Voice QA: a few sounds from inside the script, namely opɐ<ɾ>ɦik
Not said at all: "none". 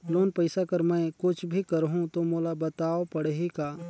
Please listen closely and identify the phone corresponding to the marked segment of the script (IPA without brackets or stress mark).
ɽ